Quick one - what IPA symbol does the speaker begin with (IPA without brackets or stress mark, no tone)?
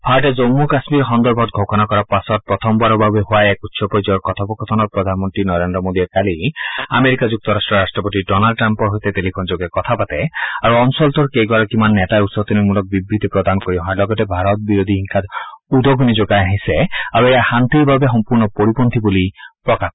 bʱ